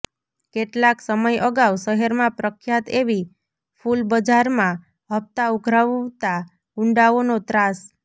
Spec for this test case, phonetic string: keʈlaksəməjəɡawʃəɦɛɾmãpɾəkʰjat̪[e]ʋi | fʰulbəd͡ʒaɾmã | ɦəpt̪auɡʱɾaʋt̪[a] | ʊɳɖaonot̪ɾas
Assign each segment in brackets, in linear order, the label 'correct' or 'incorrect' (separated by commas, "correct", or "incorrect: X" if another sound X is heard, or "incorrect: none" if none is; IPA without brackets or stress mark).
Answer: correct, correct